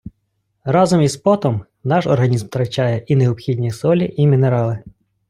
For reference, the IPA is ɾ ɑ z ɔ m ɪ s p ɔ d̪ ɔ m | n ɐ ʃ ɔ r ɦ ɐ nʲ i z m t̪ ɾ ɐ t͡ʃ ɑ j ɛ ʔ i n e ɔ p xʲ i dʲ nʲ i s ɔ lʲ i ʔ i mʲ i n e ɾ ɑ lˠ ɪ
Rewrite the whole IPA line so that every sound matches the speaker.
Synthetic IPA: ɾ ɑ z ɔ m i s p ɔ t̪ ɔ m | n ɑ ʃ ɔ r ɦ ɐ nʲ i z m t̪ ɾ ɐ t͡ʃ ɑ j ɛ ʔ i n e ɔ p xʲ i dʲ nʲ i s ɔ lʲ i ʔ i mʲ i n e ɾ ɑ lˠ ɪ